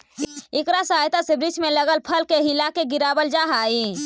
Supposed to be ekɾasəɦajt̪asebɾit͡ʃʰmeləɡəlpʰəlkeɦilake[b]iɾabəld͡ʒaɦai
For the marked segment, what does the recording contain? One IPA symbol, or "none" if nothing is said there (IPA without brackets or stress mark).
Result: ɡ